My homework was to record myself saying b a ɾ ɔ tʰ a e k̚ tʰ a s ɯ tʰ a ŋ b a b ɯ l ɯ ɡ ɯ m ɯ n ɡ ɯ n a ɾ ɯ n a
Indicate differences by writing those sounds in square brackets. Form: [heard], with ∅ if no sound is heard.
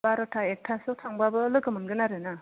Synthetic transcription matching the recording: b a ɾ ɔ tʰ a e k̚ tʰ a s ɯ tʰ a ŋ b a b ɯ l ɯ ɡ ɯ m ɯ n ɡ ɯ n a ɾ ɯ n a